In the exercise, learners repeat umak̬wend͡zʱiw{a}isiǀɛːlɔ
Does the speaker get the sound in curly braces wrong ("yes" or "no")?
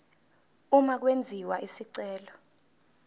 no